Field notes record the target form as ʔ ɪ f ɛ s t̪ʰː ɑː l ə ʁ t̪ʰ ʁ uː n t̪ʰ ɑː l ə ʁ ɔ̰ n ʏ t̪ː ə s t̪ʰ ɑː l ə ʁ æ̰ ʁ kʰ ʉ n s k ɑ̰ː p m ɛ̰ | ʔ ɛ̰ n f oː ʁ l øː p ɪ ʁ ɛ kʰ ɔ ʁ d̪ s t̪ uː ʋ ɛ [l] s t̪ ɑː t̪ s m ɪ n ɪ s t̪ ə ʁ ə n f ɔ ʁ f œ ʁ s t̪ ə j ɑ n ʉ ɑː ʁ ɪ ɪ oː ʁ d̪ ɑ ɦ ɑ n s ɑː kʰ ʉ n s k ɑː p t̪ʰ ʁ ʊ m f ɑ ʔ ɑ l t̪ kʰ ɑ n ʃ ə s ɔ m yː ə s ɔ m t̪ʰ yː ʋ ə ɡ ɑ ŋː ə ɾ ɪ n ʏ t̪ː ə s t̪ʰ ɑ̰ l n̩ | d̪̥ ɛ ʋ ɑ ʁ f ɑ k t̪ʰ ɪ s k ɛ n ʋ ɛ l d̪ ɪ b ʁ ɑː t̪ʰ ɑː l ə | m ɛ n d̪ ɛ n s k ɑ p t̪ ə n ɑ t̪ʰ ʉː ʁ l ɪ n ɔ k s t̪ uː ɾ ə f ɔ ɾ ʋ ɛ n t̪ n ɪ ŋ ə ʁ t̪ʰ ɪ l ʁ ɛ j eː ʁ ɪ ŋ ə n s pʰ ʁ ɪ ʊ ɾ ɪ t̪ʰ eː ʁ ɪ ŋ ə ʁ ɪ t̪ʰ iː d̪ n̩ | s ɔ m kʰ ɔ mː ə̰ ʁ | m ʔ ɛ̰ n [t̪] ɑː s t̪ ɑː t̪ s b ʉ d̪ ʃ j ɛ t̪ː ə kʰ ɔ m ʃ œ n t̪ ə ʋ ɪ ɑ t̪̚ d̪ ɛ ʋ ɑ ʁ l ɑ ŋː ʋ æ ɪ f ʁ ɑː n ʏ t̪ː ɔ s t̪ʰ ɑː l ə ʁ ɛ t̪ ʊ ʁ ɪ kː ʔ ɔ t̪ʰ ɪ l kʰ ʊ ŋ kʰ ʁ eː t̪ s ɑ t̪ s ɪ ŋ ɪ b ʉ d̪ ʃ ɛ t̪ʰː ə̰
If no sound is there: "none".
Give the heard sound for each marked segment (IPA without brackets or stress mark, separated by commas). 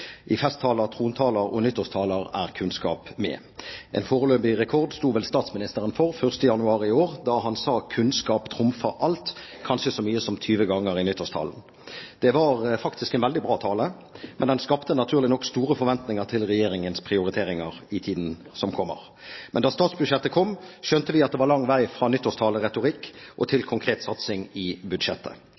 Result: l, d̪